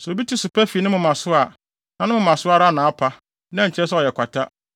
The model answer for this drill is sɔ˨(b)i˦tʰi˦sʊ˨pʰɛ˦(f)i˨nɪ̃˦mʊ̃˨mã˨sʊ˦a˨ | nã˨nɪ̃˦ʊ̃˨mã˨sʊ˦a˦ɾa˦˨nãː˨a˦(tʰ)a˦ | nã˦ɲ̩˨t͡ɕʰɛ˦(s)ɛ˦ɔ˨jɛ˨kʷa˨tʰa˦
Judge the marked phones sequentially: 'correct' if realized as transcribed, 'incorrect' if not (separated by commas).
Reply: correct, correct, incorrect, correct